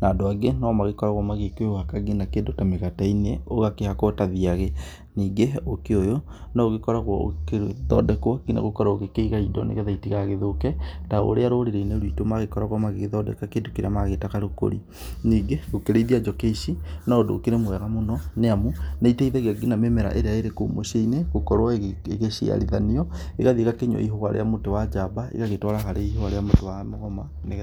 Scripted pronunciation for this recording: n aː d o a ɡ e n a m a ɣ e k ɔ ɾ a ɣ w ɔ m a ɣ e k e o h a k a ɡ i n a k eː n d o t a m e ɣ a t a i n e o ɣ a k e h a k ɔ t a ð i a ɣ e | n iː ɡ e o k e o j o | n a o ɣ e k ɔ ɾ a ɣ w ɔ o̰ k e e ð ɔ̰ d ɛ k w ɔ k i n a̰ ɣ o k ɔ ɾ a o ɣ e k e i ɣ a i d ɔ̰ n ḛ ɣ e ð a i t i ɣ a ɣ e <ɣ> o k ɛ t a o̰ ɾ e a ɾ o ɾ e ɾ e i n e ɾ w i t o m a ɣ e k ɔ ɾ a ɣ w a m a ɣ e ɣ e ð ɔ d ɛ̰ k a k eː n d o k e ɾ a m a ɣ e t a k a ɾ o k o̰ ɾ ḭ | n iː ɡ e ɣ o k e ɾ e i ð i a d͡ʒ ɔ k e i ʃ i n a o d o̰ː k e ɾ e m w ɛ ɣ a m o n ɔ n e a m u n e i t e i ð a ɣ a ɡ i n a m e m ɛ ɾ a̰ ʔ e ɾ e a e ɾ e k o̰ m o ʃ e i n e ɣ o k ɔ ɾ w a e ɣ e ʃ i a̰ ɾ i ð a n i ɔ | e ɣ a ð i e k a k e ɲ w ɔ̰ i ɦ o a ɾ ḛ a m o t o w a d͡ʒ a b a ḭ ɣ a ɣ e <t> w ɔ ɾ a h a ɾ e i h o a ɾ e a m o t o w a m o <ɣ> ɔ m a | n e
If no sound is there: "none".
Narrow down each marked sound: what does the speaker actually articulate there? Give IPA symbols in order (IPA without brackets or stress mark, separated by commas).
ð, t, ɣ